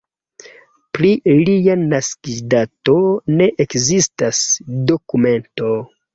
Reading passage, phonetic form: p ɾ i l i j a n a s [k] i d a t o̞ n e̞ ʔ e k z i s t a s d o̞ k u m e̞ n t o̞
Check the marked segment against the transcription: correct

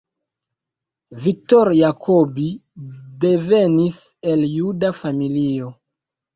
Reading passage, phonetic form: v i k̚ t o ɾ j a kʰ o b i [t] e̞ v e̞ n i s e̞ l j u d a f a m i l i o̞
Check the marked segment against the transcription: incorrect: d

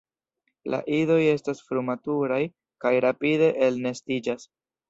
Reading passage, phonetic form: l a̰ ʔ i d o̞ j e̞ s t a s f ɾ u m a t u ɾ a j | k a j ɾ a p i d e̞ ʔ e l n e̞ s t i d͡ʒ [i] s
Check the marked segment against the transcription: incorrect: a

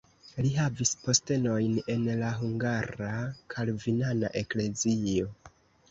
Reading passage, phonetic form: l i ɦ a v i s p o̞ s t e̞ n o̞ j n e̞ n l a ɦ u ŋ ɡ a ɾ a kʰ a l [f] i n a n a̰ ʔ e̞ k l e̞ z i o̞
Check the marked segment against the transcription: incorrect: v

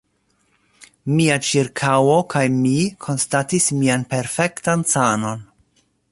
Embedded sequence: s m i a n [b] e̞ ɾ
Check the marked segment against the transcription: incorrect: p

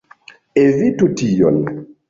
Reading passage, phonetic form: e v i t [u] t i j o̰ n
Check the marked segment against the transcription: correct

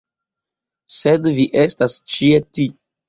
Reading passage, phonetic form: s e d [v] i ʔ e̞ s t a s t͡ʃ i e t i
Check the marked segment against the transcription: correct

